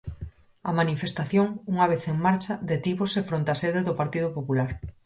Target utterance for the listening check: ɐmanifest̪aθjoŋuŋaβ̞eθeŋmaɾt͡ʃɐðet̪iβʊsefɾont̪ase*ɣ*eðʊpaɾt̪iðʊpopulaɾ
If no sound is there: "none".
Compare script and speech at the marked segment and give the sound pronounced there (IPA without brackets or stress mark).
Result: ð